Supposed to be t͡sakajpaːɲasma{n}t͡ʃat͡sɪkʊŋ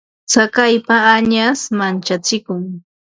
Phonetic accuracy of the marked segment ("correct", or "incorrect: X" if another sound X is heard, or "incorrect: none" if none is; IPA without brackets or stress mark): correct